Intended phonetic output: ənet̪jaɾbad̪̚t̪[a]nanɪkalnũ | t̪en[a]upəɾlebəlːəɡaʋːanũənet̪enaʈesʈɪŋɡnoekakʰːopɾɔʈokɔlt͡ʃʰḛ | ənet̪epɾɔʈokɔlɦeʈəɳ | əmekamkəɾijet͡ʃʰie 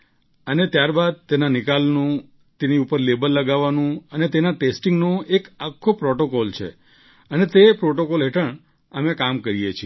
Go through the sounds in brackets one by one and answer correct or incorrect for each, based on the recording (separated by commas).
incorrect, incorrect